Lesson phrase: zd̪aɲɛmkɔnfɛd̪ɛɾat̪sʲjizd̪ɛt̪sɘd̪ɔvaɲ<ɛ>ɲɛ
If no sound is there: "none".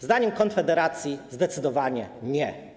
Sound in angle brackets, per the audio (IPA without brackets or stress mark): ɛ